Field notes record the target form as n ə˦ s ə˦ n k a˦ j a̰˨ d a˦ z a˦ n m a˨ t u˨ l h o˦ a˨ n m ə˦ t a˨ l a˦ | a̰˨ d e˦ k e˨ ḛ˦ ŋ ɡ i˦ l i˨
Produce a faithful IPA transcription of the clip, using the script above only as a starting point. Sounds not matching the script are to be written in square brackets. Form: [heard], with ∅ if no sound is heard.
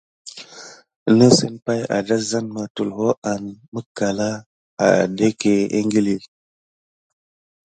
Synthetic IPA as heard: n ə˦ s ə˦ n [p] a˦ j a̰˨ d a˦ z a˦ n m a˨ t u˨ l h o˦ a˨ n m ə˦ [k] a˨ l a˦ | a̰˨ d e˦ k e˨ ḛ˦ ŋ ɡ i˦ l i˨